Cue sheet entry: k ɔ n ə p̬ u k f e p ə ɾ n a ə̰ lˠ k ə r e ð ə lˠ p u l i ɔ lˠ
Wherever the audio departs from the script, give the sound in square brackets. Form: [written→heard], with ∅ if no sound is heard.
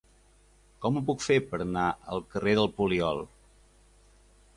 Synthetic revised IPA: k ɔ [n→m] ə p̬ u k f e p ə ɾ n a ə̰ lˠ k ə r e ð ə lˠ p u l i ɔ lˠ